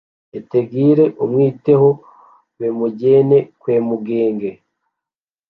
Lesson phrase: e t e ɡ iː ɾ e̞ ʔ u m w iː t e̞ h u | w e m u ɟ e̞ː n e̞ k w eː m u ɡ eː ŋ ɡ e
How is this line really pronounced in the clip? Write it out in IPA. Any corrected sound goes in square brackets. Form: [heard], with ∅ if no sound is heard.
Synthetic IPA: e t e ɡ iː ɾ e̞ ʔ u m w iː t e̞ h [o] | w e m u ɟ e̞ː n e̞ k w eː m u ɡ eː ŋ ɡ e